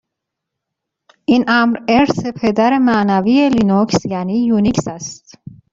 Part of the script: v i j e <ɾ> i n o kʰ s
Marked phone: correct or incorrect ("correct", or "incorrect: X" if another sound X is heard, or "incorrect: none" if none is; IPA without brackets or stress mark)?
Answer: incorrect: l